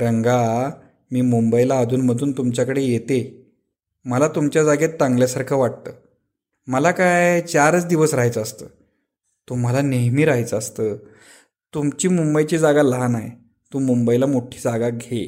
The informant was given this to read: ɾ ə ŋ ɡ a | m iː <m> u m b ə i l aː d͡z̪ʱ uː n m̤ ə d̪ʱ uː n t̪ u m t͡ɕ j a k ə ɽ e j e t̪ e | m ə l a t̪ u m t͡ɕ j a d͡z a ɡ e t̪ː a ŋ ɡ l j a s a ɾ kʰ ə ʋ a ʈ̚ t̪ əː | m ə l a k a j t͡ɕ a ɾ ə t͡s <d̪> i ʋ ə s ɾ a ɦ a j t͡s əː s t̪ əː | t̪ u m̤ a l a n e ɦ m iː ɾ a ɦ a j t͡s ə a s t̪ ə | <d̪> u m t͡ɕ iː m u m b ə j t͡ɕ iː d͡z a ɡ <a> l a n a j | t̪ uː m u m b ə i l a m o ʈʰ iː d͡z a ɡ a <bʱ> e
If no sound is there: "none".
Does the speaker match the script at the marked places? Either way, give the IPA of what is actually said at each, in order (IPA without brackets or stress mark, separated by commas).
m, d̪, t̪, a, ɡʱ